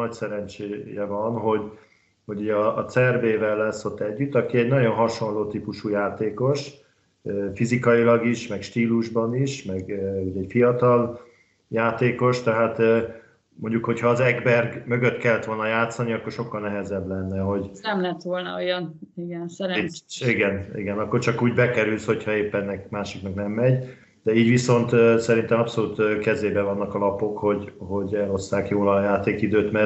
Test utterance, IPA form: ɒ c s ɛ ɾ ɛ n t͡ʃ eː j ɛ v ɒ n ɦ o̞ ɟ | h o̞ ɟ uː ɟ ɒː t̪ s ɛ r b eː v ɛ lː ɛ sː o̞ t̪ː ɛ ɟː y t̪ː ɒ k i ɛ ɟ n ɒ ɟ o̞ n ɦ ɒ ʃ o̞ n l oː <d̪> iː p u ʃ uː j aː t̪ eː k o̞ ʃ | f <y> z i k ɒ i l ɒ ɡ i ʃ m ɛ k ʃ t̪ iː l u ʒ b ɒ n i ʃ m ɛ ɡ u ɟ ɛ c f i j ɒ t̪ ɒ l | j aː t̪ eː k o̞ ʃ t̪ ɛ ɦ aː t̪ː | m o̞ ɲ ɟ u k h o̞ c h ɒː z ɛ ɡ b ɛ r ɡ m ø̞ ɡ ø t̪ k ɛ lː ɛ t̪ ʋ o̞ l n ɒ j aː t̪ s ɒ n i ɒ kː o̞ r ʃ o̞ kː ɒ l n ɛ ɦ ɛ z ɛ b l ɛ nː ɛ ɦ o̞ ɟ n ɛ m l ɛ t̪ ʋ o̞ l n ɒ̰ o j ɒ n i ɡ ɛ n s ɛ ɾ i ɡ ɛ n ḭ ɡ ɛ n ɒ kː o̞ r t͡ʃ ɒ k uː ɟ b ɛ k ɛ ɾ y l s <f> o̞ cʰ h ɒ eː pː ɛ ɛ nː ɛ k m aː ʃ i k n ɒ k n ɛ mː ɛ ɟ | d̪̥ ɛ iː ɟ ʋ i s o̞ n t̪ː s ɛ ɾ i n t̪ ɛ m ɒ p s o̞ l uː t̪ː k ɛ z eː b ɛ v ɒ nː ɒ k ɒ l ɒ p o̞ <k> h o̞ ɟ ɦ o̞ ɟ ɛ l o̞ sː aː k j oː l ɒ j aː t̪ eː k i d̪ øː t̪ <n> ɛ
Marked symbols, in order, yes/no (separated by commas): no, no, no, yes, no